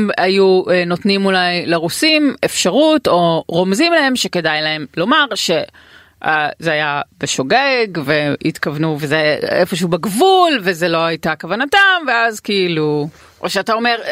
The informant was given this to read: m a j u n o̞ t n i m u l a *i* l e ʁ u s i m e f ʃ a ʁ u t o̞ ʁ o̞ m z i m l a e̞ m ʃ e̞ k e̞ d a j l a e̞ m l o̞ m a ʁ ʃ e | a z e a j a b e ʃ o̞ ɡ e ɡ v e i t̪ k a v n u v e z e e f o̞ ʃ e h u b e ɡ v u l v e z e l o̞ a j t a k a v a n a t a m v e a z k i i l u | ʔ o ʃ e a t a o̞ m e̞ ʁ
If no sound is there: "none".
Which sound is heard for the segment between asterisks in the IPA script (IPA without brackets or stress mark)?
j